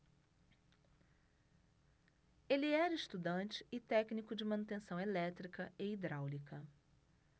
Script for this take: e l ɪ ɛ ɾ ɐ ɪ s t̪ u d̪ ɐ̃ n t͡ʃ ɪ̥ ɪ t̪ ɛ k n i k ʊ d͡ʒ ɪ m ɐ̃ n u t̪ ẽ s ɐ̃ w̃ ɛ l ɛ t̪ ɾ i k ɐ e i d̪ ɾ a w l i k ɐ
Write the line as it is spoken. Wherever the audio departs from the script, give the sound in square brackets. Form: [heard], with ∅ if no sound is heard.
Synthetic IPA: e l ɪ ɛ ɾ ɐ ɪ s t̪ u d̪ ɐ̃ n t͡ʃ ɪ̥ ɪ t̪ ɛ k n i k ʊ d͡ʒ ɪ m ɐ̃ n u t̪ ẽ s ɐ̃ w̃ [e] l ɛ t̪ ɾ i k ɐ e i d̪ ɾ a w l i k ɐ